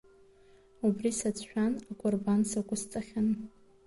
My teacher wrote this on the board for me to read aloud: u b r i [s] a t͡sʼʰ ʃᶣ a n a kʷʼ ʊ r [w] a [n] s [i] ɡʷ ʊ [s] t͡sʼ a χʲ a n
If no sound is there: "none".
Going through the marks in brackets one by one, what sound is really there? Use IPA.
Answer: s, b, n, a, s

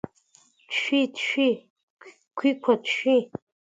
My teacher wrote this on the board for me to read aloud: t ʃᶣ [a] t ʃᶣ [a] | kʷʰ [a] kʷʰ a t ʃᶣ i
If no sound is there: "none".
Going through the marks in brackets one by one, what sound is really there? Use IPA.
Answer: i, i, i

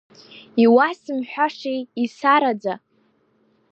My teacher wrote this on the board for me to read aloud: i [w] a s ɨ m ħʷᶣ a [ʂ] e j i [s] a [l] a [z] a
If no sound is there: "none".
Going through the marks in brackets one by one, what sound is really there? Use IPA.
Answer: w, ʂ, s, ɾ, d͡z

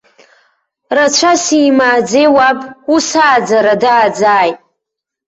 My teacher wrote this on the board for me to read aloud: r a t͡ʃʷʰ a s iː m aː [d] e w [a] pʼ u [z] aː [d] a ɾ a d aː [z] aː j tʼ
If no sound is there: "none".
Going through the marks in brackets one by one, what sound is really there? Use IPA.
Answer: d͡z, a, s, d͡z, d͡z

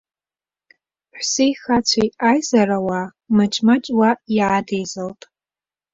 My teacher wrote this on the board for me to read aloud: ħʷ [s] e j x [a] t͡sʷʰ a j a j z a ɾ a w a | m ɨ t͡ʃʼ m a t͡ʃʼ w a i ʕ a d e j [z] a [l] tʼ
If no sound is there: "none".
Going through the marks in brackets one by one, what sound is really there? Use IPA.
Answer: s, a, z, l

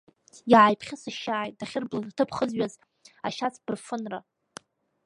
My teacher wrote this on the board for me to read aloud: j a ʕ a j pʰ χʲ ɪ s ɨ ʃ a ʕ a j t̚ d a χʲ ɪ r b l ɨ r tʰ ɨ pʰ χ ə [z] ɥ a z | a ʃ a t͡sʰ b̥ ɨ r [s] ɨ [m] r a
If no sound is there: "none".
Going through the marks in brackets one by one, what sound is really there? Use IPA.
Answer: z, f, n

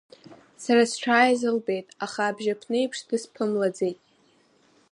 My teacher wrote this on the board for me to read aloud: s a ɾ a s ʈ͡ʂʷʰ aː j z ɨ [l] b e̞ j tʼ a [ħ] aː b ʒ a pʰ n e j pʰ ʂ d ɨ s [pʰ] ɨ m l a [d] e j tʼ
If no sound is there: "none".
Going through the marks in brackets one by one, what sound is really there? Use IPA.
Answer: l, χ, pʰ, d͡z

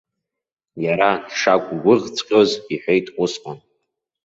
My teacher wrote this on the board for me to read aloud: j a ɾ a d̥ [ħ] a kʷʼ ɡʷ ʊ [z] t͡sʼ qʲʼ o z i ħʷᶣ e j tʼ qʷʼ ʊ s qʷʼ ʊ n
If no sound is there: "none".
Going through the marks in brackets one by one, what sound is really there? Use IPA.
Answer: ʂ, ʁ

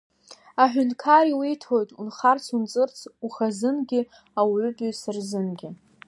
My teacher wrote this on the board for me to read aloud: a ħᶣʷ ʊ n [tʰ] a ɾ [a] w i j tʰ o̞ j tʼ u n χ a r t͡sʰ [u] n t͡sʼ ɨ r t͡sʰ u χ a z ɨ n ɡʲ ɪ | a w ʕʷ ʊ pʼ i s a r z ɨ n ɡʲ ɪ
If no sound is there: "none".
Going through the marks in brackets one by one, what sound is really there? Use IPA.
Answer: kʰ, i, u

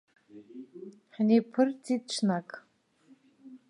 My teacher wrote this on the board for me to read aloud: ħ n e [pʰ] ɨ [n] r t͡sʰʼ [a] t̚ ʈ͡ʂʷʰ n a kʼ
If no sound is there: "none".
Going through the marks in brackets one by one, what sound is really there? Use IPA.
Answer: pʰ, none, i

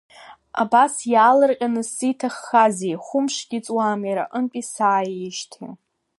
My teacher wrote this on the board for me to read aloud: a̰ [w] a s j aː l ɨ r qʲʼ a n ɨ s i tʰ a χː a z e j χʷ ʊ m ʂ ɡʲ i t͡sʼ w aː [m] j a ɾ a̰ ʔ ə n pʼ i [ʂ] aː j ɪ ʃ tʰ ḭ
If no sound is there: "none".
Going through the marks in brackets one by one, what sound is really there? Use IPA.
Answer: b, m, s

